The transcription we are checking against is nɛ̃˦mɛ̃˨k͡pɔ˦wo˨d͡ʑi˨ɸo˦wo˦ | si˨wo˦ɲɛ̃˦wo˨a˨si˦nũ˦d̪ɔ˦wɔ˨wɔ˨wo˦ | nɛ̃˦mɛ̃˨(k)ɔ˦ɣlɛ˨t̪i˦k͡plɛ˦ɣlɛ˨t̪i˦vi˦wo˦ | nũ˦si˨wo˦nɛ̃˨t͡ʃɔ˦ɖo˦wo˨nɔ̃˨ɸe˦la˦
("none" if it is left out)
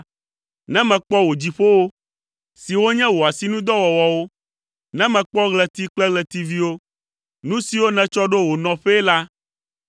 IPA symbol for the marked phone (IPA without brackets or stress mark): k͡p